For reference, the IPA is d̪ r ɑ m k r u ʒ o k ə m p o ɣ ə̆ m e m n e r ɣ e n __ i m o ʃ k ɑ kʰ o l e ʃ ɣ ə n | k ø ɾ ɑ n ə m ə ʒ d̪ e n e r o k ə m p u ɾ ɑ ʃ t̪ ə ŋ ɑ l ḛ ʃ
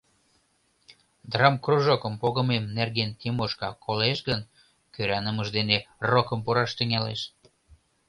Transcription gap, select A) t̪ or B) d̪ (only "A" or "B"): A